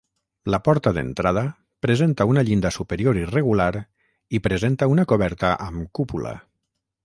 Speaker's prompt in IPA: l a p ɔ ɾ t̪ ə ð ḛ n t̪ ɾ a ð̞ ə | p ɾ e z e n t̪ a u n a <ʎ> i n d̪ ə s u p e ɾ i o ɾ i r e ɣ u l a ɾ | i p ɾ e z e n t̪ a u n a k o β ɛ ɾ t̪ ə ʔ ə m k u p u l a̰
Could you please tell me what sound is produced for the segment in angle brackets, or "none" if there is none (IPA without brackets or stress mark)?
ʎ